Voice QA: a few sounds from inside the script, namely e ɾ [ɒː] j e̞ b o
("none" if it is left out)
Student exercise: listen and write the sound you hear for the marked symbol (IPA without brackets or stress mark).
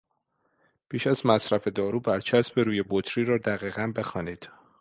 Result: uː